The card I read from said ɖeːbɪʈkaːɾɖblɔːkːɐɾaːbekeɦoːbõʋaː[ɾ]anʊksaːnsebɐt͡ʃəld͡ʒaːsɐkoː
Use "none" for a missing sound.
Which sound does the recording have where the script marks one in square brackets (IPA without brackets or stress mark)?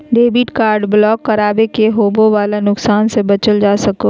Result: l